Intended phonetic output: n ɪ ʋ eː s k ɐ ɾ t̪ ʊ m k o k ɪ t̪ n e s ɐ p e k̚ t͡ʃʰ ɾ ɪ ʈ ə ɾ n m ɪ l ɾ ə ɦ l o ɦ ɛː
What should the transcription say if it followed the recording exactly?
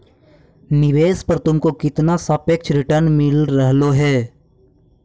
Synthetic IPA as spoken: n ɪ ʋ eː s p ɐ ɾ t̪ ʊ m k o k ɪ t̪ n a s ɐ p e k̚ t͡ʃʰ ɾ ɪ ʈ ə ɾ n m ɪ l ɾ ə ɦ l o ɦ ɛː